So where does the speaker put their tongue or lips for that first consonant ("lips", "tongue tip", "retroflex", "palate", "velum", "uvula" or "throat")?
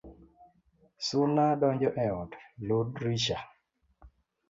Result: tongue tip